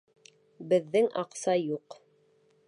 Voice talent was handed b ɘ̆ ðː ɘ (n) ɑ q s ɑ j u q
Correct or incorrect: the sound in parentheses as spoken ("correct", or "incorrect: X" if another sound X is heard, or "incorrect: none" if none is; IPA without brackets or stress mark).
incorrect: ŋ